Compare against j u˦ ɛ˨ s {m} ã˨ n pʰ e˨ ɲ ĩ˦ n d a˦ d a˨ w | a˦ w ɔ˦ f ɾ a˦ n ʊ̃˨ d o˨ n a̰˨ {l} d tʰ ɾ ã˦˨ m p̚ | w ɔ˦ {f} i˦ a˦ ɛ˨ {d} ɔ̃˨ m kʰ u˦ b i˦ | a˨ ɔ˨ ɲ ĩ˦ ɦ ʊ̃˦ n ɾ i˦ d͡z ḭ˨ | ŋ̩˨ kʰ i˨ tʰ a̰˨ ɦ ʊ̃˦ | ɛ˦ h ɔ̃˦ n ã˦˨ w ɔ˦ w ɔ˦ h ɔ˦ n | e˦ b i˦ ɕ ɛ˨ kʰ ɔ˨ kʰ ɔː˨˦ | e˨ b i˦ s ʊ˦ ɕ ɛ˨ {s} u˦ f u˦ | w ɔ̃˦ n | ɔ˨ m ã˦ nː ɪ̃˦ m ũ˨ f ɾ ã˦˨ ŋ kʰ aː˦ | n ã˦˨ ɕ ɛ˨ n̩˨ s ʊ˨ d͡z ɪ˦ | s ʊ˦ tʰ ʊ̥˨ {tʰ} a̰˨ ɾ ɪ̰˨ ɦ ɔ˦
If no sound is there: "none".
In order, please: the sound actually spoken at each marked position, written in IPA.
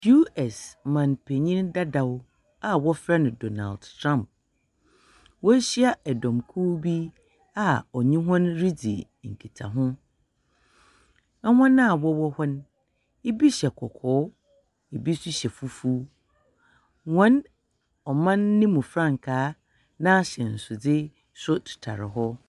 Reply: m, l, ɕ, d, f, tʰ

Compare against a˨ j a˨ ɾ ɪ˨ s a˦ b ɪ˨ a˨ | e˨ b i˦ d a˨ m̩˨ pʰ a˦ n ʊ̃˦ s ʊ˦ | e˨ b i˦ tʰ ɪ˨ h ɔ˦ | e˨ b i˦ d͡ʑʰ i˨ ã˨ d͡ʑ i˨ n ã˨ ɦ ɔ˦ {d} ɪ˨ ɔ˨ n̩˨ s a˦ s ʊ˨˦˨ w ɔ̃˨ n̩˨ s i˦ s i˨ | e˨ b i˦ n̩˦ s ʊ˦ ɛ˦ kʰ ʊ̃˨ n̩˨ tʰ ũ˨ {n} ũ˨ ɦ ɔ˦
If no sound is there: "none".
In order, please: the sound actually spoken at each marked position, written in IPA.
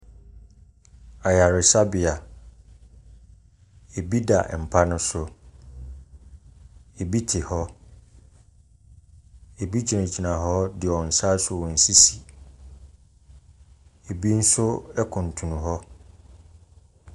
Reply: d, n

